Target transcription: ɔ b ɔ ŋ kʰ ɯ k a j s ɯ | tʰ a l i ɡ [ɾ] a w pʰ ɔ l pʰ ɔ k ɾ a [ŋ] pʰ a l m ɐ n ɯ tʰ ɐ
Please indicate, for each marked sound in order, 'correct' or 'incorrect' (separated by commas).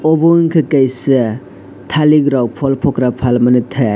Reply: correct, incorrect